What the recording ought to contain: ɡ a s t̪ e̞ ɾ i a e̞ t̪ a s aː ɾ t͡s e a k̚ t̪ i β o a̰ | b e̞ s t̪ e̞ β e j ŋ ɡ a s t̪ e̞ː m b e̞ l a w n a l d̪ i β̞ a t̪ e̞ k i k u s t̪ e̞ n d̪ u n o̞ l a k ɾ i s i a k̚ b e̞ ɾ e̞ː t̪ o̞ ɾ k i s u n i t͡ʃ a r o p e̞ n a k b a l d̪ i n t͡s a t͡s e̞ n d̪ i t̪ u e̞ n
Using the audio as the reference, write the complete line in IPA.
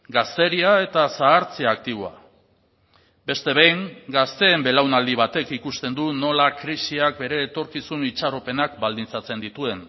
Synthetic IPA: ɡ a s t̪ e̞ ɾ i a e̞ t̪ a s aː ɾ t͡s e a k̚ t̪ i β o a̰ | b e̞ s t̪ e̞ β e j ŋ ɡ a s t̪ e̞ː m b e̞ l a w n a l d̪ i β̞ a t̪ e̞ k i k u s t̪ e̞ n d̪ u n o̞ l a k ɾ i s i a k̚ b e̞ ɾ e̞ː t̪ o̞ ɾ k i s u n i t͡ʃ a r o p e̞ n a k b a l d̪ i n t͡s a t͡s e̞ n d̪ i t̪ u e̞ n